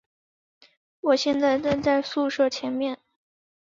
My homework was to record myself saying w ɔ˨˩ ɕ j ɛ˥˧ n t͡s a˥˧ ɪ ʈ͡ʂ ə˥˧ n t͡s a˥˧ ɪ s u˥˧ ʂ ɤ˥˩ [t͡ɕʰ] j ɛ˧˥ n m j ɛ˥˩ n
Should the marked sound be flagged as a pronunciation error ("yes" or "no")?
no